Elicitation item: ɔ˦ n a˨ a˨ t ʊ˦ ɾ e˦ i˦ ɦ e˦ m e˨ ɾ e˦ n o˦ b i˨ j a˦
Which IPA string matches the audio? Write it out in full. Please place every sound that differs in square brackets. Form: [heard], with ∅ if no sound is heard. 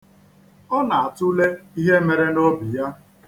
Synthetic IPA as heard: ɔ˦ n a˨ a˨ t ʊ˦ [l] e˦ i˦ ɦ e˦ m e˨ ɾ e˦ n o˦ b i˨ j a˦